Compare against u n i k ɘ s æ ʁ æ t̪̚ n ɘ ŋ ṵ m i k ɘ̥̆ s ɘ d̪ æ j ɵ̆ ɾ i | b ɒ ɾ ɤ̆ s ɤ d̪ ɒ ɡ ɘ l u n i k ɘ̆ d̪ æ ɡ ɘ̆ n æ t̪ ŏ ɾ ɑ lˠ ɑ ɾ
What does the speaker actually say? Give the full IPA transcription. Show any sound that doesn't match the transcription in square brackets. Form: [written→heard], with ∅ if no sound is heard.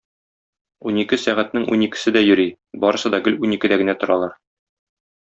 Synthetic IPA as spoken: u n i k ɘ s æ ʁ æ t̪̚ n ɘ ŋ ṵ [m→n] i k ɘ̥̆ s ɘ d̪ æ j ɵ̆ ɾ i | b ɒ ɾ ɤ̆ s ɤ d̪ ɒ ɡ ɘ l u n i k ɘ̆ d̪ æ ɡ ɘ̆ n æ t̪ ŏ ɾ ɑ lˠ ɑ ɾ